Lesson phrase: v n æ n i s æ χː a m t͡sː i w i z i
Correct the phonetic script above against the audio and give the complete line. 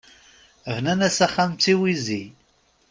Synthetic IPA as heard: v n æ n æ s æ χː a m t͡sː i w i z i